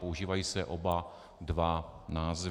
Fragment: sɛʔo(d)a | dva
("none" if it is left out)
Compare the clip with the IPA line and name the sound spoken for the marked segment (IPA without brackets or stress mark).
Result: b